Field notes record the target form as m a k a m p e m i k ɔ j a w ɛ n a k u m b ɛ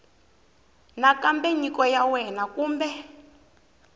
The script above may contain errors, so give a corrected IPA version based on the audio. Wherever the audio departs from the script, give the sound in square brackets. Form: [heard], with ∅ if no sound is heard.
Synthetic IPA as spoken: [n] a k a m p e [ɲ] i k ɔ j a w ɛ n a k [uː] m b ɛ